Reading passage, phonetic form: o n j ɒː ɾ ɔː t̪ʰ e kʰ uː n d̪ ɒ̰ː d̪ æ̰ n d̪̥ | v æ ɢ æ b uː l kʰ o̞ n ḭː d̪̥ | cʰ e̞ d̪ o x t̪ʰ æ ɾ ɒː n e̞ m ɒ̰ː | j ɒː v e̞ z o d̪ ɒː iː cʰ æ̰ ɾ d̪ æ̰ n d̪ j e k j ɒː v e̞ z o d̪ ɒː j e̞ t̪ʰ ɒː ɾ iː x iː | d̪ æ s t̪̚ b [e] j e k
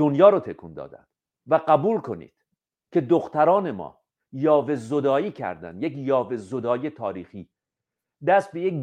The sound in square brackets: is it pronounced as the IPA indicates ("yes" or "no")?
yes